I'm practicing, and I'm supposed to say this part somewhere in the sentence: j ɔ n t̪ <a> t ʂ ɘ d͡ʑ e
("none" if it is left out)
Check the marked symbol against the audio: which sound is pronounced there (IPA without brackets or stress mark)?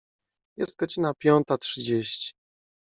a